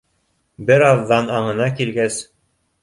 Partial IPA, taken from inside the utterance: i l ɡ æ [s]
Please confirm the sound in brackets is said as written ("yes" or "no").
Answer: yes